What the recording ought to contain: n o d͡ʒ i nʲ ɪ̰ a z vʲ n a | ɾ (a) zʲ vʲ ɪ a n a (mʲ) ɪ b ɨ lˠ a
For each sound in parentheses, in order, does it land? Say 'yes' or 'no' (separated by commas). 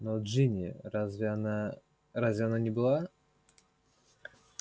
yes, no